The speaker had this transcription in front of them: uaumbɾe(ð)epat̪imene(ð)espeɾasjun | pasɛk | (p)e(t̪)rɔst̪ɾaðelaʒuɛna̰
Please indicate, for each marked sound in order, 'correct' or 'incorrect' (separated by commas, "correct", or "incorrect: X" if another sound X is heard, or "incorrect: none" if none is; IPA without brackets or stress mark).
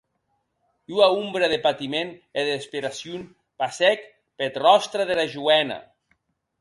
correct, correct, correct, correct